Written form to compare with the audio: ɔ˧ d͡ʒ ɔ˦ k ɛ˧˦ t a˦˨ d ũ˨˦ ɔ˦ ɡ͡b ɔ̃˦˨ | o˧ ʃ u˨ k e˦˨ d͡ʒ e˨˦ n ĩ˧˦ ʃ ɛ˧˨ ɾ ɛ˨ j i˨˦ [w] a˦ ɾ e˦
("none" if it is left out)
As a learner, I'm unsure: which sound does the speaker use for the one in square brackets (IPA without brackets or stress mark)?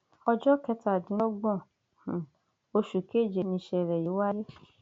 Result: w